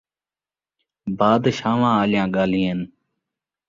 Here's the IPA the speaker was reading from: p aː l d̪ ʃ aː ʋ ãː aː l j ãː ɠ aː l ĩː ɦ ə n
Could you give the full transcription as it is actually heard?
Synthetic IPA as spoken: b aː d̪ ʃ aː ʋ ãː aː l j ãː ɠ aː l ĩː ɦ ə n

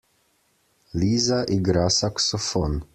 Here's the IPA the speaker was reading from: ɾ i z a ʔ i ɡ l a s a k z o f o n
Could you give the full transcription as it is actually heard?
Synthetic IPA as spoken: l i z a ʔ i ɡ ɾ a s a k s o f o n

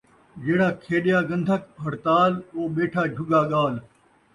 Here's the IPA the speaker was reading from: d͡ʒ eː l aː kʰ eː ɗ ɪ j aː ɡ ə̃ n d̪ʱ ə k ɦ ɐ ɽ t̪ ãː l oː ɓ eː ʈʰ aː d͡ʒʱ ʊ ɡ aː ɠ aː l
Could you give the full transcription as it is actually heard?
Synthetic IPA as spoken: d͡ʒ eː ɽ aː kʰ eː ɗ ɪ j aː ɡ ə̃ n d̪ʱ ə k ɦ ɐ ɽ t̪ aː l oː ɓ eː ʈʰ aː d͡ʒʱ ʊ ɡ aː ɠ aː l

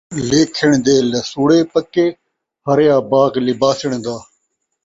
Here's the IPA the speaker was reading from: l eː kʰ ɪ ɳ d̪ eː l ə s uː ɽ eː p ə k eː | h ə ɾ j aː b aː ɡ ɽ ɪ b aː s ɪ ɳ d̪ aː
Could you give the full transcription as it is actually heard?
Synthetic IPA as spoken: l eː kʰ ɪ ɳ d̪ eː l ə s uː ɽ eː p ə k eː | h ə ɾ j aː b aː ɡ l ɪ b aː s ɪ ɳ d̪ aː

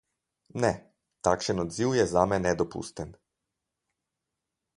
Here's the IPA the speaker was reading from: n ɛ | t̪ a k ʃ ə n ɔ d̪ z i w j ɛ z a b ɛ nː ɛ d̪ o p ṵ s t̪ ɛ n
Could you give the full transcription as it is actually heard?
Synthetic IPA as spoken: n ɛ | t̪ a k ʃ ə n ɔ d̪ z i w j ɛ z a m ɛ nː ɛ d̪ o p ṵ s t̪ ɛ n

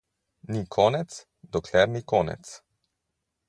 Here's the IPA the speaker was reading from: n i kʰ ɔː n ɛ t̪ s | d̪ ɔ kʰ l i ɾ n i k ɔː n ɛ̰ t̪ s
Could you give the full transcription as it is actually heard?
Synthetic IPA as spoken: n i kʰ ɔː n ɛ t̪ s | d̪ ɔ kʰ l ɛ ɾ n i k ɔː n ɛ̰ t̪ s

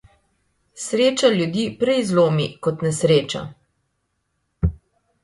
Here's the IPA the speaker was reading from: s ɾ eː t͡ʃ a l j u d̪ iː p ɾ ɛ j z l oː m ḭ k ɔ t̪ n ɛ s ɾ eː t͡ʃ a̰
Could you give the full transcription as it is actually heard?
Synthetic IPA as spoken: s ɾ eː t͡ʃ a l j u d̪ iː p ɾ ɛ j z l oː m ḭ k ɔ t̪ n ɛ s ɾ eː t͡ʃ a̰

